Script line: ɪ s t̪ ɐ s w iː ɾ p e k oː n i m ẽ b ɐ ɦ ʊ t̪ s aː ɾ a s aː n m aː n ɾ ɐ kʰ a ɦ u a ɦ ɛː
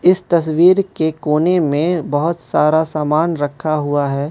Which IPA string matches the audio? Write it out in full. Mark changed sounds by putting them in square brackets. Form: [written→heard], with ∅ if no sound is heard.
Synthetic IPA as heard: ɪ s t̪ ɐ s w iː ɾ [p→k] e k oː n [i→e] m ẽ b ɐ ɦ ʊ t̪ s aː ɾ a s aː [n→∅] m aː n ɾ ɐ kʰ a ɦ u a ɦ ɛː